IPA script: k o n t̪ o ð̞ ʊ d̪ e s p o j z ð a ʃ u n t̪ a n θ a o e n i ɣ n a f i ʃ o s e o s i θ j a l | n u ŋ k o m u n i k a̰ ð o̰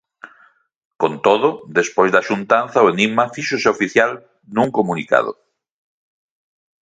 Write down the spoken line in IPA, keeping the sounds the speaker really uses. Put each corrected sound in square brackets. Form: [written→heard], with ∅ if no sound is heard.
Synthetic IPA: k o n t̪ o ð̞ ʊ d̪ e s p o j z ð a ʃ u n t̪ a n θ a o e n i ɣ [n→m] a f i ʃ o s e o [s→f] i θ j a l | n u ŋ k o m u n i k a̰ ð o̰